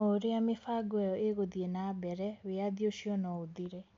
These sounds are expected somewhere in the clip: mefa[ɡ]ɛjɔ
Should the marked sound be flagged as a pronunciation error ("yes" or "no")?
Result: no